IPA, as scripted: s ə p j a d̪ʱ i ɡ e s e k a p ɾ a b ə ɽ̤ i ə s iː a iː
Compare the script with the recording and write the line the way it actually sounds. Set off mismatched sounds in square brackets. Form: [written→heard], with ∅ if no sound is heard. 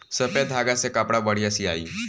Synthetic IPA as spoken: s ə p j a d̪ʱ [i→a] ɡ [e→a] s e k a p [ɾ→ɽ] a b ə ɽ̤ i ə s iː a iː